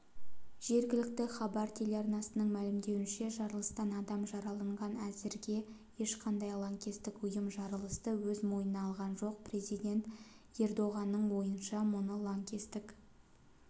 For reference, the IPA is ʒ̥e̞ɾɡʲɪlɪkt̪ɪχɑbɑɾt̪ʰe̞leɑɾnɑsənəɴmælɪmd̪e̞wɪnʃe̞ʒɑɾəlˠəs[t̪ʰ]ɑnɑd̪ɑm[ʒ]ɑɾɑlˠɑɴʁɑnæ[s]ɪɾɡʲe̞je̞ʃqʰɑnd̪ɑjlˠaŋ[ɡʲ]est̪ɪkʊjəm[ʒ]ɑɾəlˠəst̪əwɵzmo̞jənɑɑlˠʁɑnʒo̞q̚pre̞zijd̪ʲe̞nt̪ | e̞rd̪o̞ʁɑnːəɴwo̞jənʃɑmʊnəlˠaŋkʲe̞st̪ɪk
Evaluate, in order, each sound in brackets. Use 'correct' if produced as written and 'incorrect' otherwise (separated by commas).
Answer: incorrect, correct, incorrect, incorrect, correct